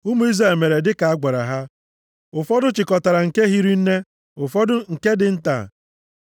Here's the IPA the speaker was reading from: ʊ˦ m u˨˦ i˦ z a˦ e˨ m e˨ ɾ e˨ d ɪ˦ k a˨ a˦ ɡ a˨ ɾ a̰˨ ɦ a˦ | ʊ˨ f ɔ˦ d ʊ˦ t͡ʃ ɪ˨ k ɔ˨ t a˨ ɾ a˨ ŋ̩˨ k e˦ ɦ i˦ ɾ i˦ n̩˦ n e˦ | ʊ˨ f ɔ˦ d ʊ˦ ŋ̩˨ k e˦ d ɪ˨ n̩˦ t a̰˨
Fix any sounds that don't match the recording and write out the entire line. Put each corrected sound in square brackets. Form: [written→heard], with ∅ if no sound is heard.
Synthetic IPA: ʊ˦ m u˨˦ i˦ z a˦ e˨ m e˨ ɾ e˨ d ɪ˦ k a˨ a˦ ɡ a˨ ɾ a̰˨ ɦ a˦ | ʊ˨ f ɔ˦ d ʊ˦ t͡ʃ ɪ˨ k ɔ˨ t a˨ ɾ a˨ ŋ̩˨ k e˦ ɦ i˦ ɾ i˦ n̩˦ n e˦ | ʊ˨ f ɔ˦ d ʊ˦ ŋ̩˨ k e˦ d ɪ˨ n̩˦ t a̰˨